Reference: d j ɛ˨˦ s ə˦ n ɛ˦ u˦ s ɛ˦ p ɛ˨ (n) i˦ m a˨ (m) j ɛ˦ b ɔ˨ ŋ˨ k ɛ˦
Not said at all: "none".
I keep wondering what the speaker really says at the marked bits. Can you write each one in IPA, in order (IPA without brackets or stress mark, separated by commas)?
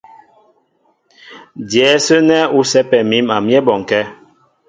m, m